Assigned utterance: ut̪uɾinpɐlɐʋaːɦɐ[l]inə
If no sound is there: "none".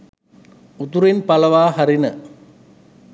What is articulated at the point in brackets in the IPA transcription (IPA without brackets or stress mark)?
ɾ